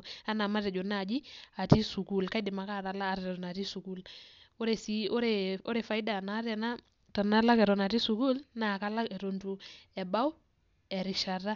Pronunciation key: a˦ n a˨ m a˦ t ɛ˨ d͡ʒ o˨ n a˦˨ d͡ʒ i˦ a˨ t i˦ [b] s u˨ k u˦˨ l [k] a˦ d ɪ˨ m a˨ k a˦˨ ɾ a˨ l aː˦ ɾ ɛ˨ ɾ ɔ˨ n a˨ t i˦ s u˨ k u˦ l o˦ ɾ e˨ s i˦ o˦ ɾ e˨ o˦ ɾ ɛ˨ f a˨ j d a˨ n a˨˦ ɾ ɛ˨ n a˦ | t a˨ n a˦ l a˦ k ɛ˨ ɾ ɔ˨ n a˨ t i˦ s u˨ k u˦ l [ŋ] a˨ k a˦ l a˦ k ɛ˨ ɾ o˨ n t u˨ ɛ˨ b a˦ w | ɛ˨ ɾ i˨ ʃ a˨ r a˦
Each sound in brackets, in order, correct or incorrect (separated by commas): incorrect, correct, incorrect